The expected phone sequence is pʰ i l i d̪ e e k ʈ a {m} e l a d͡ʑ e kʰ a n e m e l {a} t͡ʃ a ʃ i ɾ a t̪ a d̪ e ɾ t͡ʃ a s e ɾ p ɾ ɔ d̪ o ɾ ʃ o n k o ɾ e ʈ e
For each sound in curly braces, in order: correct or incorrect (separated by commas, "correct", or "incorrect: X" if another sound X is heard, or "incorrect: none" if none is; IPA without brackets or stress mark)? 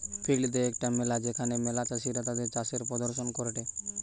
correct, correct